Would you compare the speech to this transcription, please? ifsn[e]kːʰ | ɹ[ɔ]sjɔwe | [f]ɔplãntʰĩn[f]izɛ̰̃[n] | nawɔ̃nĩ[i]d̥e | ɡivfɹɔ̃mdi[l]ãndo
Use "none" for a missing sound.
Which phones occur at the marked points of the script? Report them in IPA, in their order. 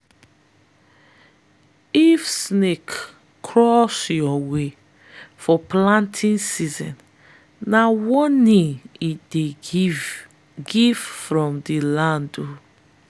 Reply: e, ɔ, f, s, n, i, l

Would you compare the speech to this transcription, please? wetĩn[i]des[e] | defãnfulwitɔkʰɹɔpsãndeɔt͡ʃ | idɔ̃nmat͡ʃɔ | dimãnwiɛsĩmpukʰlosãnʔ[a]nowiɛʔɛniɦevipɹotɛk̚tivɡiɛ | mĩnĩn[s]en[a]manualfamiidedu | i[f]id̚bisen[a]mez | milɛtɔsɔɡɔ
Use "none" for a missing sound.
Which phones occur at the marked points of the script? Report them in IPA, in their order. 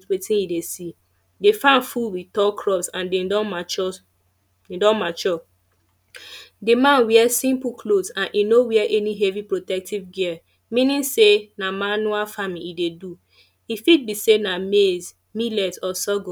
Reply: i, i, i, s, a, f, a

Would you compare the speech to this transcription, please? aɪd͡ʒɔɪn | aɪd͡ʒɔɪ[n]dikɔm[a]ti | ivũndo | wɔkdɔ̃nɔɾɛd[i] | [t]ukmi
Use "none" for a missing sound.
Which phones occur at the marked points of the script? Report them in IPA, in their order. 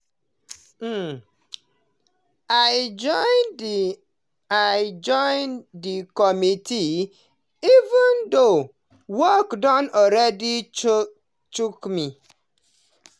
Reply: n, i, i, t͡ʃ

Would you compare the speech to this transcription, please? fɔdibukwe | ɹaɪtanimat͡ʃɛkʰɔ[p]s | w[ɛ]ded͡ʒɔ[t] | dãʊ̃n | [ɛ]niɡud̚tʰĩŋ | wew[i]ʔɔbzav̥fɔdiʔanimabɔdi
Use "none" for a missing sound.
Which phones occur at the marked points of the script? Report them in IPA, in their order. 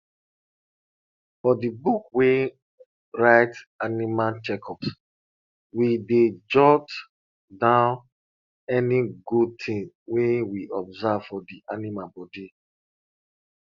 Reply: p, i, t, ɛ, i

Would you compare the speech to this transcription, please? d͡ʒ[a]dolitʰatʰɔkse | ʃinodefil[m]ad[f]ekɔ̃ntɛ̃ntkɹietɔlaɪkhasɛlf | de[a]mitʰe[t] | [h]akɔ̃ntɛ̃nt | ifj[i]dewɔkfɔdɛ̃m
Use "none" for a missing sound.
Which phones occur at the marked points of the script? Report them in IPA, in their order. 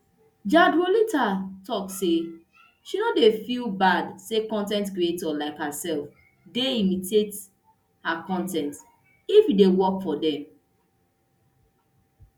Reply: a, b, s, i, t, h, i

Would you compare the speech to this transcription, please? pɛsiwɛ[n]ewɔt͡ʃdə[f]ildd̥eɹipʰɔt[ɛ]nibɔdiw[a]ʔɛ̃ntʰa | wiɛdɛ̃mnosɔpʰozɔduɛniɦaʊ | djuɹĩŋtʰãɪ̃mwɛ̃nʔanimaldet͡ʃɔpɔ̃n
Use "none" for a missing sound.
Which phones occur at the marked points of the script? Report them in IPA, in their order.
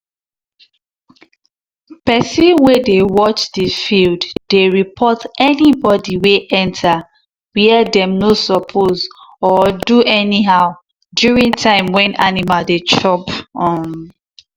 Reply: d, f, ɛ, e

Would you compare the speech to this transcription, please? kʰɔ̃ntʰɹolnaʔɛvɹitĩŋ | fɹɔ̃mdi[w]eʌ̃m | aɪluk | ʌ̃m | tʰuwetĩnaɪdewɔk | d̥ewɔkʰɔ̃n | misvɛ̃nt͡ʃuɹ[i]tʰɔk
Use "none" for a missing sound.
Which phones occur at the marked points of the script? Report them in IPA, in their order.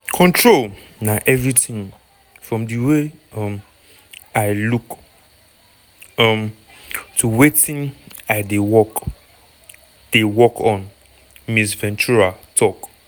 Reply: w, a

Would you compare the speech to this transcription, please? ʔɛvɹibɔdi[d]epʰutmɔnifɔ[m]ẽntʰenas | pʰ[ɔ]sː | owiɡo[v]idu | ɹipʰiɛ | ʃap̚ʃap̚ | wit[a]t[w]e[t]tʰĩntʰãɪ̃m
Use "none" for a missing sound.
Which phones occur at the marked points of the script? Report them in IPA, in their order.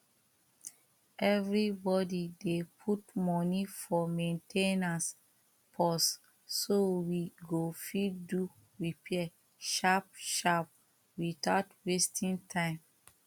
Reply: d, m, ɔ, f, a, w, s

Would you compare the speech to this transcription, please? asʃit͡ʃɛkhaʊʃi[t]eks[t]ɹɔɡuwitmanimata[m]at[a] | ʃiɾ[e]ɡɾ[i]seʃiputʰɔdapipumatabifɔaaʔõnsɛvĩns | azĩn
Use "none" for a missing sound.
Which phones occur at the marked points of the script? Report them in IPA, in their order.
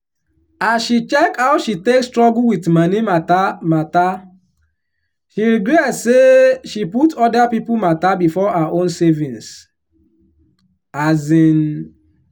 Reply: t, t, m, a, i, ɛ

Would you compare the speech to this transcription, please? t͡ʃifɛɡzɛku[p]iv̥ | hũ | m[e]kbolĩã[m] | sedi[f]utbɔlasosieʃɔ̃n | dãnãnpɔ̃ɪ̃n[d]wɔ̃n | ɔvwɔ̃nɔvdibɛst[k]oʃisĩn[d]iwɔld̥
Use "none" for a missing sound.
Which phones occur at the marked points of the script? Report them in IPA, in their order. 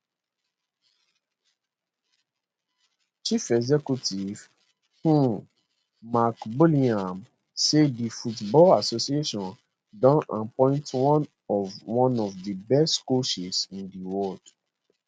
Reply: t, a, m, f, t, k, d

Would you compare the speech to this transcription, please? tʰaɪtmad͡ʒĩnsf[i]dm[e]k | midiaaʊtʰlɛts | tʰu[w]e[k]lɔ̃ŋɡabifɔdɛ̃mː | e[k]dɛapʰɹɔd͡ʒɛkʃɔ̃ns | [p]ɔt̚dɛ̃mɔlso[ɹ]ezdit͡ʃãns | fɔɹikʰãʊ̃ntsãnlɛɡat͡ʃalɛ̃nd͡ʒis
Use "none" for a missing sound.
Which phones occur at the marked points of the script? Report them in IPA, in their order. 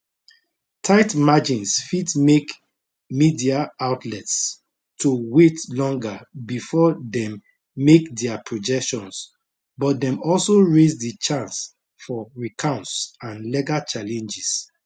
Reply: i, e, w, t, k, b, ɹ

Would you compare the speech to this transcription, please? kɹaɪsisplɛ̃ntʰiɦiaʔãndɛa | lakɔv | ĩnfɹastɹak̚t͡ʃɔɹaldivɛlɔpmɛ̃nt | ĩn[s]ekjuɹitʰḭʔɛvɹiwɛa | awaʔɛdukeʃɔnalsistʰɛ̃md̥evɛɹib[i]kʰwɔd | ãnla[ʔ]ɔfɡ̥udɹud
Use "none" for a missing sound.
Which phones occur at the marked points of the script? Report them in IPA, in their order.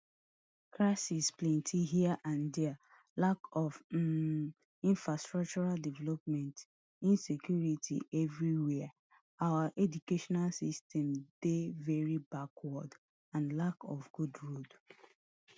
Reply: s, a, k

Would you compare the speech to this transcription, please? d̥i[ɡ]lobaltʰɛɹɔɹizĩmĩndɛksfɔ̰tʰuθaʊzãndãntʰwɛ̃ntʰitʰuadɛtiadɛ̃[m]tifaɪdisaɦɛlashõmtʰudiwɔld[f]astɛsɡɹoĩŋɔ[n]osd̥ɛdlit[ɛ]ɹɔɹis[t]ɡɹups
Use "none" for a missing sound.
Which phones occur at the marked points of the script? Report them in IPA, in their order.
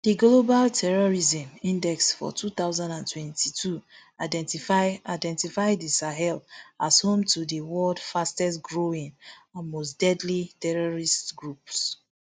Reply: ɡ, n, f, m, ɛ, t

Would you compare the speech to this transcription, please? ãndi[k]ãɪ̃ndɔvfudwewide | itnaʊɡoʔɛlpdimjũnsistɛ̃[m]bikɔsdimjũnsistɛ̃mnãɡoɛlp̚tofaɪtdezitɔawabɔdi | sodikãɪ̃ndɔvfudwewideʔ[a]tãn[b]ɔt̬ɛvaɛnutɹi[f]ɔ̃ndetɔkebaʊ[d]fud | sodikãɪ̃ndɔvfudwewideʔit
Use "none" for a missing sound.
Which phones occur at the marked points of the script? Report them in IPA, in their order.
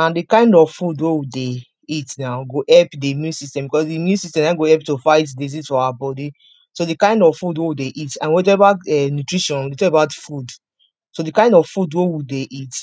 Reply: k, m, i, w, ʃ, t

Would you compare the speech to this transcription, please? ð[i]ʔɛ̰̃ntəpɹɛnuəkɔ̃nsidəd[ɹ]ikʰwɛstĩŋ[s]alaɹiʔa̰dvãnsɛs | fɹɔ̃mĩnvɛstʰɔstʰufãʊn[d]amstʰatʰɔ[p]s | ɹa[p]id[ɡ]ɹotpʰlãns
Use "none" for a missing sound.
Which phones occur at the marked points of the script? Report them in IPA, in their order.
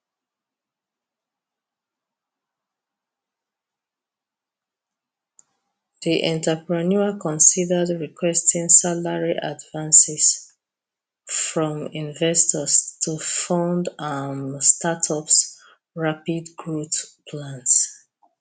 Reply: i, ɹ, s, d, p, p, ɡ

